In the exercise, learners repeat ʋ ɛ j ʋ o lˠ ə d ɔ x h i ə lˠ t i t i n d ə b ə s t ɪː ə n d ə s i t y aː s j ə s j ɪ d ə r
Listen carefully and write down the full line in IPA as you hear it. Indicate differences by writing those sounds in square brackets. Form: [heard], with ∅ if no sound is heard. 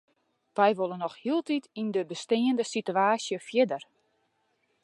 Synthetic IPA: ʋ ɛ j ʋ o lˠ ə [n] ɔ x h i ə lˠ t i t i n d ə b ə s t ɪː ə n d ə s i t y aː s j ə [f] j ɪ d ə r